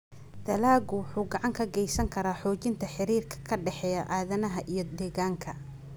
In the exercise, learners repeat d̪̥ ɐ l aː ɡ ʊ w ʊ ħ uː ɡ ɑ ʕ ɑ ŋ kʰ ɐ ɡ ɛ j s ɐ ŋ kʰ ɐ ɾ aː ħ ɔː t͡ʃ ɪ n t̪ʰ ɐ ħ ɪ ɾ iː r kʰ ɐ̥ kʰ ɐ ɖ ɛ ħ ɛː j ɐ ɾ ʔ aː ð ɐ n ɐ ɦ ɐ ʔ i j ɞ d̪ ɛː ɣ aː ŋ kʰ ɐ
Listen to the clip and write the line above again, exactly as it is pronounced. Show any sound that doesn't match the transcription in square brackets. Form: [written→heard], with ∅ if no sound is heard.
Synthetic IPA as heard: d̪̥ ɐ l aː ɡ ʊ w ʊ ħ uː ɡ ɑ ʕ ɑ ŋ kʰ ɐ ɡ ɛ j s ɐ ŋ kʰ ɐ ɾ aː ħ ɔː t͡ʃ ɪ n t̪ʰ ɐ ħ ɪ ɾ iː r kʰ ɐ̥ kʰ ɐ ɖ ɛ ħ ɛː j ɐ [ɾ→∅] ʔ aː ð ɐ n ɐ ɦ ɐ ʔ i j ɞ d̪ ɛː ɣ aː ŋ kʰ ɐ